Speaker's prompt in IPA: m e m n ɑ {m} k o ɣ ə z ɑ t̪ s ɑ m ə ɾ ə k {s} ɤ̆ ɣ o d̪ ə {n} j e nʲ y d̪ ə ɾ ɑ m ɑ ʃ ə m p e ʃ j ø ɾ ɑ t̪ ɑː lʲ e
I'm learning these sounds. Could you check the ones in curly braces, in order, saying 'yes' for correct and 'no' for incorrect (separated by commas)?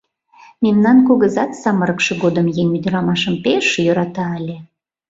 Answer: no, no, no